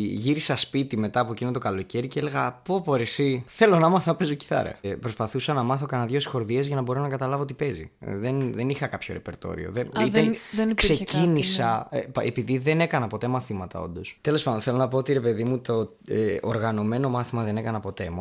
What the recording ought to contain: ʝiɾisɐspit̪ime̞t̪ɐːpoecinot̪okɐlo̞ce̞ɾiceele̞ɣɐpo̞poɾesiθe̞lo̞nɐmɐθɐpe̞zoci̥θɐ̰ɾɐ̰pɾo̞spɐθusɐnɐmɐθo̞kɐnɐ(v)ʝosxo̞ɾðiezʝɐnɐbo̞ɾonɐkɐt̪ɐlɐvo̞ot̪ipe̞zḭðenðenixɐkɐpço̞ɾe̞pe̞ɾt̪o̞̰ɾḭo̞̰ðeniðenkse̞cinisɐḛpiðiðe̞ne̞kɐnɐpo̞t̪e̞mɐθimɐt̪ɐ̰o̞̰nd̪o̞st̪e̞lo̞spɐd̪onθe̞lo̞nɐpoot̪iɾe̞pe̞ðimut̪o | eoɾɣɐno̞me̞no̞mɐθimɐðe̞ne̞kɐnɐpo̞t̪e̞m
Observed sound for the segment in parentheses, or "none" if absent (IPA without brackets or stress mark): ð